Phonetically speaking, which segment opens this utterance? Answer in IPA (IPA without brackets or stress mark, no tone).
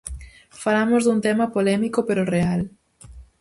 f